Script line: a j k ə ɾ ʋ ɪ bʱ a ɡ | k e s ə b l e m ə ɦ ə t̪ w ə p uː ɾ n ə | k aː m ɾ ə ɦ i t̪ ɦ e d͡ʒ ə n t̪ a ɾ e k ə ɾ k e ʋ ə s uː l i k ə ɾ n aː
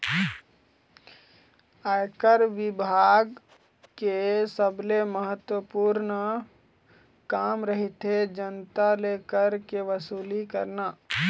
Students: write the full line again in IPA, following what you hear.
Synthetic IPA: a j k ə ɾ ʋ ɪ bʱ a ɡ | k e s ə b l e m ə ɦ ə t̪ w ə p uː ɾ n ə | k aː m ɾ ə ɦ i t̪ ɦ e d͡ʒ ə n t̪ a l e k ə ɾ k e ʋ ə s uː l i k ə ɾ n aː